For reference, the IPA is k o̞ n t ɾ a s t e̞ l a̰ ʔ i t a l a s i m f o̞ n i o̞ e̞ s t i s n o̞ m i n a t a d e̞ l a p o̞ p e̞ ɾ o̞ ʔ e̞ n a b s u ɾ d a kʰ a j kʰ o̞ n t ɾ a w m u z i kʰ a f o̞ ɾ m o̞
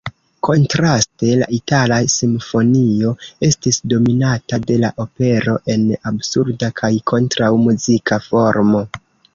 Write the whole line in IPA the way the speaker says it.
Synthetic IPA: k o̞ n t ɾ a s t e̞ l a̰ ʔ i t a l a s i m f o̞ n i o̞ e̞ s t i s d o̞ m i n a t a d e̞ l a ʔ o̞ p e̞ ɾ o̞ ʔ e̞ n a b s u ɾ d a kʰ a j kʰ o̞ n t ɾ a w m u z i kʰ a f o̞ ɾ m o̞